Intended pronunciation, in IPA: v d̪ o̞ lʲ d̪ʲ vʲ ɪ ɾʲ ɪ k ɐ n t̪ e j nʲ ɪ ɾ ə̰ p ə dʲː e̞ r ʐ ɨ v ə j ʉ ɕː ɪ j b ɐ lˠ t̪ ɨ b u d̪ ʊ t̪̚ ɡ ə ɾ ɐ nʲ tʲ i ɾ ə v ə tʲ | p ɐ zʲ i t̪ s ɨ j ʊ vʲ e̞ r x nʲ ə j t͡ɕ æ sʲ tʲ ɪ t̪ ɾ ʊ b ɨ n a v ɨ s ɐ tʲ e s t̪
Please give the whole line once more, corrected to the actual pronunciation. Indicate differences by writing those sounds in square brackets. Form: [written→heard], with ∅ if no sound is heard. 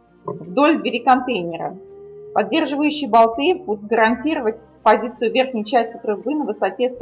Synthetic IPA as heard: v d̪ o̞ lʲ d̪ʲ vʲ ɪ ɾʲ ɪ k ɐ n t̪ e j nʲ ɪ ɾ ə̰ p [ə→ɐ] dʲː e̞ r ʐ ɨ v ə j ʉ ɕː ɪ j b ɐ lˠ t̪ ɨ b u d̪ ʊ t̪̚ ɡ ə ɾ ɐ nʲ tʲ i ɾ ə v ə tʲ | p ɐ zʲ i t̪ s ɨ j ʊ vʲ e̞ r x nʲ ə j t͡ɕ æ sʲ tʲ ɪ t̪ ɾ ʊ b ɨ n [a→ə] v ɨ s ɐ tʲ e s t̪